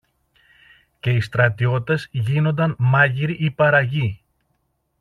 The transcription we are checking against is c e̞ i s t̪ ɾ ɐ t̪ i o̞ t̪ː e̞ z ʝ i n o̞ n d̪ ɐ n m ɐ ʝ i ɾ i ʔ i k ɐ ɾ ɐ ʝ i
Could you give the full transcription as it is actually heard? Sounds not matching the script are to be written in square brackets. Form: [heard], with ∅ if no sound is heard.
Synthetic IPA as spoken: c e̞ i s t̪ ɾ ɐ t̪ i o̞ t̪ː e̞ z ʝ i n o̞ n d̪ ɐ n m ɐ ʝ i ɾ i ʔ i [p] ɐ ɾ ɐ ʝ i